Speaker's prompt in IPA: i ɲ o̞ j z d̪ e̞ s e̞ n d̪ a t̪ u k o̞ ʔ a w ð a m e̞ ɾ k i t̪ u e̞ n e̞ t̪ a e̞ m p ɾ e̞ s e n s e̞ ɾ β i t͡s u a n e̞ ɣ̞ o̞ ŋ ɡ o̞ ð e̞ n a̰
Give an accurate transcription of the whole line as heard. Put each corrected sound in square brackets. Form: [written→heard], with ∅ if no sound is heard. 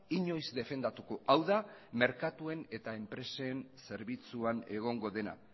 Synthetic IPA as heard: i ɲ o̞ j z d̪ e̞ [s→f] e̞ n d̪ a t̪ u k o̞ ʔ a w ð a m e̞ ɾ k [i→a] t̪ u e̞ n e̞ t̪ a e̞ m p ɾ e̞ s e n s e̞ ɾ β i t͡s u a n e̞ ɣ̞ o̞ ŋ ɡ o̞ ð e̞ n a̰